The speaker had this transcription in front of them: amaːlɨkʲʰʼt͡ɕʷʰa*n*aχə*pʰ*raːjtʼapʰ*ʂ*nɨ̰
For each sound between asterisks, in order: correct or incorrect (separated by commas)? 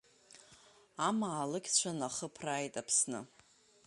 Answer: correct, correct, incorrect